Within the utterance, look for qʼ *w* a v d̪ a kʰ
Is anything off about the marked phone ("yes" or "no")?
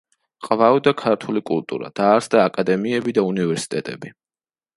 yes